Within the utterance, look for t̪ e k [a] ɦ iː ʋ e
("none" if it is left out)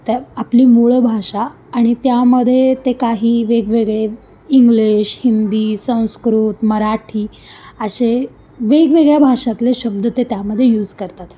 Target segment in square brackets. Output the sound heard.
a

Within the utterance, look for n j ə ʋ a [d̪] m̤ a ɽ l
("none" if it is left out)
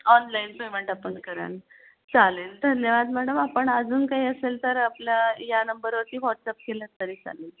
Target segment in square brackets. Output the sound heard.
d̪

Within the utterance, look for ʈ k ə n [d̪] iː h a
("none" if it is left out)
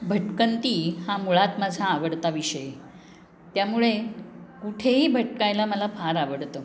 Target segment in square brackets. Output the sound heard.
t̪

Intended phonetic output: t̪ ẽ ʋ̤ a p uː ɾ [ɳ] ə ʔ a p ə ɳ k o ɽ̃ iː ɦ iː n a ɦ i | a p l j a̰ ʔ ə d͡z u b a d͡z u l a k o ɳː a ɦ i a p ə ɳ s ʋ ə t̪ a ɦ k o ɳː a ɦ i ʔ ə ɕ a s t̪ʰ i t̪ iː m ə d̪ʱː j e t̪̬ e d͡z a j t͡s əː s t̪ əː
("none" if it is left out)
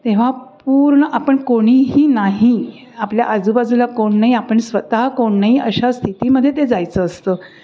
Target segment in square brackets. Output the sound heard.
ɳ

